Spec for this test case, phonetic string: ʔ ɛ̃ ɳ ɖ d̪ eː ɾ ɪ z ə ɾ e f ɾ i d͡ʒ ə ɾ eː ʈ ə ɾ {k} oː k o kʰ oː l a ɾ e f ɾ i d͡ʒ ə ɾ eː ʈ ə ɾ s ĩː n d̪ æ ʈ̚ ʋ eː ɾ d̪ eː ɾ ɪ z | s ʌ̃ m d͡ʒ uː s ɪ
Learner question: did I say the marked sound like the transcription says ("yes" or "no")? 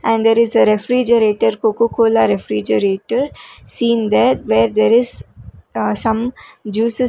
yes